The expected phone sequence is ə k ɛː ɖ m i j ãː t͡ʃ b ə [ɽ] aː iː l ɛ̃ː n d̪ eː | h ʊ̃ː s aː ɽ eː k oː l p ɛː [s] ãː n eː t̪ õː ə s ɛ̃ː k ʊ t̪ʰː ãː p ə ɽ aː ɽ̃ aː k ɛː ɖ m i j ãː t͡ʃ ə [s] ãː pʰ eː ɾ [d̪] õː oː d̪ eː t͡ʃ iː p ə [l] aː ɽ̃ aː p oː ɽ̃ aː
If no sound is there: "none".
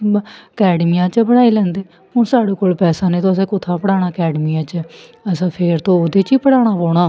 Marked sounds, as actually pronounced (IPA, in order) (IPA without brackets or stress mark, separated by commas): ɽ, s, s, t̪, ɽ